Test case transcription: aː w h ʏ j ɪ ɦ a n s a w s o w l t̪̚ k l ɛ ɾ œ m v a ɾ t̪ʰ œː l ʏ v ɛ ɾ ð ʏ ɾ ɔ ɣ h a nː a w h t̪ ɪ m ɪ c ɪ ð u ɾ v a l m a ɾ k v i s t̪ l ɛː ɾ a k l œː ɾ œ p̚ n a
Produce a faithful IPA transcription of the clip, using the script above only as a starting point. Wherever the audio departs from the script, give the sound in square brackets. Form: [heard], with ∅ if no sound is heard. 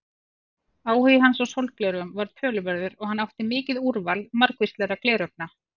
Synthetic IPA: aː w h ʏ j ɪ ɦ a n s a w s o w l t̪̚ k l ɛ ɾ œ m v a ɾ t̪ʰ œː l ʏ v ɛ ɾ ð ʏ ɾ ɔ ɣ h a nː a w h t̪ ɪ m [ɪː] c ɪ ð u ɾ v a l m a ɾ k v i s t̪ l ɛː ɾ a k l [ɛː] ɾ œ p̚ n a